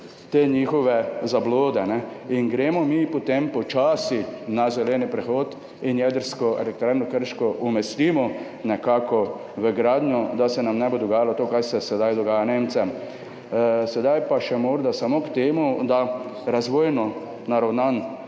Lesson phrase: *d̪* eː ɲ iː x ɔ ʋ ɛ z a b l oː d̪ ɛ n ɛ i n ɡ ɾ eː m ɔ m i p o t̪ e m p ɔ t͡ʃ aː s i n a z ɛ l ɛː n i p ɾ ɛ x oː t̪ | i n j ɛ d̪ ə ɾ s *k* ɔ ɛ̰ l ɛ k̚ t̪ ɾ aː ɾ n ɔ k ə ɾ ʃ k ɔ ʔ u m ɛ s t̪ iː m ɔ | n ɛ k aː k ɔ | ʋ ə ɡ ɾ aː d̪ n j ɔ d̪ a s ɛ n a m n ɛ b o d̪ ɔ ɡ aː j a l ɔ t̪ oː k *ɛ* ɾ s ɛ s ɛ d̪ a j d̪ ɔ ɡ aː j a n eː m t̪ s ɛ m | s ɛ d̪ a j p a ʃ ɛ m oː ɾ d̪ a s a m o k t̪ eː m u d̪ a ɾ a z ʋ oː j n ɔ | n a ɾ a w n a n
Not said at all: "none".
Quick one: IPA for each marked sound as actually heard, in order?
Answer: t̪, k, a

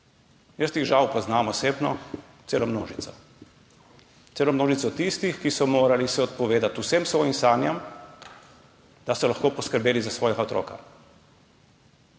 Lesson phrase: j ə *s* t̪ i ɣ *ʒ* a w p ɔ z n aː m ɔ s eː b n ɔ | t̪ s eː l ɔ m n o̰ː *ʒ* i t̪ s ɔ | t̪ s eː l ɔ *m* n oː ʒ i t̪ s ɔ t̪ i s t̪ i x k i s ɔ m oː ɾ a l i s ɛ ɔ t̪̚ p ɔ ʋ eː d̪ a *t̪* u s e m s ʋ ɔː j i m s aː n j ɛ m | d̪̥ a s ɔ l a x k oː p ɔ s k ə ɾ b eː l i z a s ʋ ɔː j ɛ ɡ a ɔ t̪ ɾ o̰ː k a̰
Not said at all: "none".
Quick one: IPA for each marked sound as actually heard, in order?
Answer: s, ʒ, ʒ, m, t̪

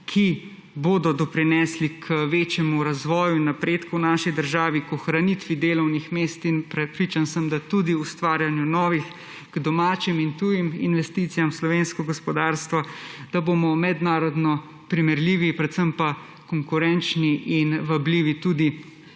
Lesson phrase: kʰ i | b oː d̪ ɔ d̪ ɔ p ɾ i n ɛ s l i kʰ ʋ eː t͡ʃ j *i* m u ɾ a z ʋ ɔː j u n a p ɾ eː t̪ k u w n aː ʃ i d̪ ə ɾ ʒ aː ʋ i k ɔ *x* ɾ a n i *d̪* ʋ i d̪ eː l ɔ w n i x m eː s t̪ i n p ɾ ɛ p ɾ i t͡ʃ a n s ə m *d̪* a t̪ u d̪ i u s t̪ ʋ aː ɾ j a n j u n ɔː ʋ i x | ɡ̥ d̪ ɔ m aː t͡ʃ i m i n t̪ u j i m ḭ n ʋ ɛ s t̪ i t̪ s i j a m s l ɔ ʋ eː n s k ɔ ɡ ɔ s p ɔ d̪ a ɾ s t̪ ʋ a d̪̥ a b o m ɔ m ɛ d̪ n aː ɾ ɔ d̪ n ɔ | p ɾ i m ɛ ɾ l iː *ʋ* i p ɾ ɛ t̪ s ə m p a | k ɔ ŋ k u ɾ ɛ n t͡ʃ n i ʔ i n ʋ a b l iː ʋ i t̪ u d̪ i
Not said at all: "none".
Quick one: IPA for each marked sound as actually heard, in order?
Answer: ɛ, x, t̪, d̪, ʋ

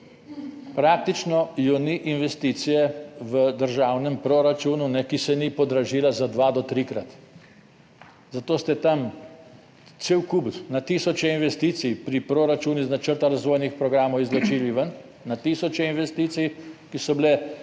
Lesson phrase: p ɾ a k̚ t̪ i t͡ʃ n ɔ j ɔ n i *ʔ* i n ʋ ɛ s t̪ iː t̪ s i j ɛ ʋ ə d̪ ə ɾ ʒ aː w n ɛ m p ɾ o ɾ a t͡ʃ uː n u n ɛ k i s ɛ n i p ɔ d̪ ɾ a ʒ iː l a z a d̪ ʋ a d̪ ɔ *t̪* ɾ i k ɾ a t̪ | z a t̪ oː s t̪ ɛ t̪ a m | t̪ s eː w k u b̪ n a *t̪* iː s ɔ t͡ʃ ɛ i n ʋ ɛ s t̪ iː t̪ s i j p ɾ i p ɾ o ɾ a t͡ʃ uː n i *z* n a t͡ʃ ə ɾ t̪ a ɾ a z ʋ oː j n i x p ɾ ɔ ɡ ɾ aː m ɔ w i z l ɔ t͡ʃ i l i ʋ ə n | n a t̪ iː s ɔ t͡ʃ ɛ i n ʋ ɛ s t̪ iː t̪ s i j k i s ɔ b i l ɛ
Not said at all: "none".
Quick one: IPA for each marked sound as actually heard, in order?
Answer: ʔ, t̪, t̪, z

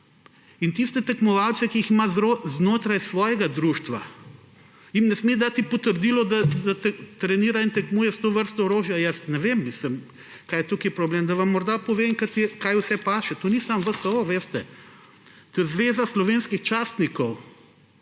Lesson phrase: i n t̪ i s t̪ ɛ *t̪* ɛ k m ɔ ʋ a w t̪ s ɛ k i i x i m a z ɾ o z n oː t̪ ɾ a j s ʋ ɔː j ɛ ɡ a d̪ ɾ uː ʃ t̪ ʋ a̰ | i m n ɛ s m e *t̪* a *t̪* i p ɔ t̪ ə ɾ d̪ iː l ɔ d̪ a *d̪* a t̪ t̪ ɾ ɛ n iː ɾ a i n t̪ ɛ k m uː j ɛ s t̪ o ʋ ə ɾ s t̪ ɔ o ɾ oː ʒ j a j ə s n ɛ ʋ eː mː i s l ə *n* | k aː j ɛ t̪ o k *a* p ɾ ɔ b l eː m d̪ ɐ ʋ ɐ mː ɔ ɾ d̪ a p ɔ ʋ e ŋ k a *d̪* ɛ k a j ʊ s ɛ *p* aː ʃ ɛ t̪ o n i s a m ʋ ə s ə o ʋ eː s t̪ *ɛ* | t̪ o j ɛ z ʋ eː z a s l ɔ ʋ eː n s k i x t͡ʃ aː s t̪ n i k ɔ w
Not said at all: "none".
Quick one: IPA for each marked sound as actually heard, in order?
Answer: t̪, d̪, t̪, d̪, m, i, t̪, p, ɛ

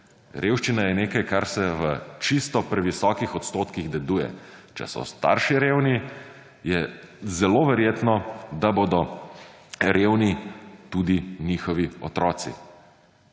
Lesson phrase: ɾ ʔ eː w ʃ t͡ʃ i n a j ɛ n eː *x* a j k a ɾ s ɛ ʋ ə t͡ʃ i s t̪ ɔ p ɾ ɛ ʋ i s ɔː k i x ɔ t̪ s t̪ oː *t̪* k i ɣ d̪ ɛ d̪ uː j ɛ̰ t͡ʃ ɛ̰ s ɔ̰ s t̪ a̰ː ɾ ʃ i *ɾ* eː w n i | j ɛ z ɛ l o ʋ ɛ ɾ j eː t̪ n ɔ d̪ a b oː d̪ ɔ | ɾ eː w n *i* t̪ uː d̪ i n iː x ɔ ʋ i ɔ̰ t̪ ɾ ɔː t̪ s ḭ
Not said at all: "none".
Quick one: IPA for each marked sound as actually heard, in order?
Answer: k, t̪, ɾ, i

